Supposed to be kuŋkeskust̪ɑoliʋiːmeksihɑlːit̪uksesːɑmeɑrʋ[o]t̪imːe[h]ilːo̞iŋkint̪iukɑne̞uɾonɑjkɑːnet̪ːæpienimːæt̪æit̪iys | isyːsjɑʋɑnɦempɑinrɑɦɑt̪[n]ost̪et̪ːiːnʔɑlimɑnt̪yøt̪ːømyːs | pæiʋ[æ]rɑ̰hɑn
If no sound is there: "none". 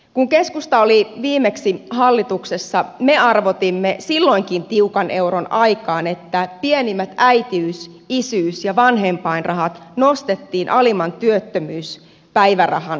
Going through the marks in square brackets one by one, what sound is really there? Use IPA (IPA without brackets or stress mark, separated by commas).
o, s, n, æ